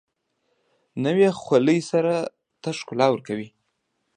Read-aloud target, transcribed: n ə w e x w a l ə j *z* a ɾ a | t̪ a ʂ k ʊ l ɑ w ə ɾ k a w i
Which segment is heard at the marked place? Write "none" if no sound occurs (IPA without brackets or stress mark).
s